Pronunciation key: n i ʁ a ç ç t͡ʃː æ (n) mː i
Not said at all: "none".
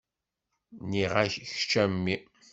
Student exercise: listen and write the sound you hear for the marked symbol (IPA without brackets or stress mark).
none